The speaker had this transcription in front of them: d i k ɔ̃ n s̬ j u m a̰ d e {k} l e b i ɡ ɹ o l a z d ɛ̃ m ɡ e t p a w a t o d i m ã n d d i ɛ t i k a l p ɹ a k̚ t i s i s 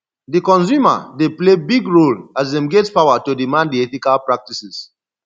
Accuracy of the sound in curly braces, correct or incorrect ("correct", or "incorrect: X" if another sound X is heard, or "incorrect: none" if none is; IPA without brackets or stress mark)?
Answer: incorrect: p